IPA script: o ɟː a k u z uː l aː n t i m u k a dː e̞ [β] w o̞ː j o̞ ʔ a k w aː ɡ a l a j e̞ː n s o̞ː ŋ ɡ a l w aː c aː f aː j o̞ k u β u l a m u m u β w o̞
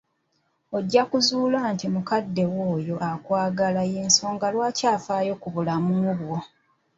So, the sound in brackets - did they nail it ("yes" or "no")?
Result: no